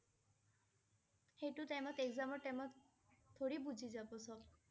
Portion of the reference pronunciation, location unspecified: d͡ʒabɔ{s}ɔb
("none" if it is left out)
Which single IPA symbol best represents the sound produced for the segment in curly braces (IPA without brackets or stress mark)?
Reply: s